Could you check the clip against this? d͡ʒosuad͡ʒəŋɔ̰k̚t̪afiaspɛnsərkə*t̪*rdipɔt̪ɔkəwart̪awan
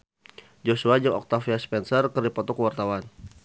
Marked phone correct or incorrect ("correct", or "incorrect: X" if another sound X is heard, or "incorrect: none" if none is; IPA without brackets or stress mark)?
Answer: incorrect: none